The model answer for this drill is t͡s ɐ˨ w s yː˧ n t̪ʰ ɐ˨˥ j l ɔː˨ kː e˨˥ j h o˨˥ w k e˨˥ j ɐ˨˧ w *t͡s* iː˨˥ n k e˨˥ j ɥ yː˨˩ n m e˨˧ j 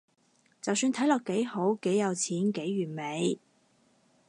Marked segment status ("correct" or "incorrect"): incorrect